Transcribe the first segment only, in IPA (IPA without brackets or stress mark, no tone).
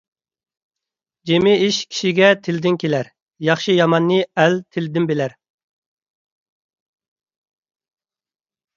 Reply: d͡ʒ